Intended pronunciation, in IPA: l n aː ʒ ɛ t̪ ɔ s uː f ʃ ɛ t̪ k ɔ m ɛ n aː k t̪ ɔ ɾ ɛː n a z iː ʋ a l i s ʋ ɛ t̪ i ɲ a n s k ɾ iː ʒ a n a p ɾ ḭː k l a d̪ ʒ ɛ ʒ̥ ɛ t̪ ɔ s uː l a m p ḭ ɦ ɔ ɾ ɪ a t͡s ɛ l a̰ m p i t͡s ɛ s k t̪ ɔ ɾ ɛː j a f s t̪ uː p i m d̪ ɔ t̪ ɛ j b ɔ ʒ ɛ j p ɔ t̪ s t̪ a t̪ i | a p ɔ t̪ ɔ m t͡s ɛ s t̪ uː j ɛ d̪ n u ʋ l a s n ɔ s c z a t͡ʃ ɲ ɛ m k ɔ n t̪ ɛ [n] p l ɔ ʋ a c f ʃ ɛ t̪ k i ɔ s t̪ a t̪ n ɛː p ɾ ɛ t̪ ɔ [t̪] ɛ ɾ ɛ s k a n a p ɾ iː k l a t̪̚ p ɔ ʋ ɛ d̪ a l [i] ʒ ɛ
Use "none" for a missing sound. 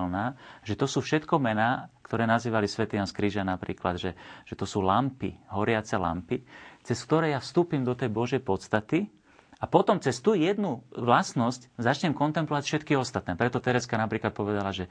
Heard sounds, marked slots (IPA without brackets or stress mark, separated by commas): m, t̪, a